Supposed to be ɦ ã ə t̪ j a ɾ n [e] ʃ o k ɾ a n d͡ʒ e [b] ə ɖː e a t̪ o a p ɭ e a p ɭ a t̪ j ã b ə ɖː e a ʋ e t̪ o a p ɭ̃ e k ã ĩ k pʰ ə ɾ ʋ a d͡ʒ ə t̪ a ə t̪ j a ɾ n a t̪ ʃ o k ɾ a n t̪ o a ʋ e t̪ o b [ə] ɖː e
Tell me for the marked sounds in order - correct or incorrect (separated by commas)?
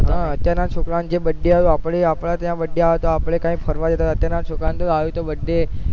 incorrect, correct, correct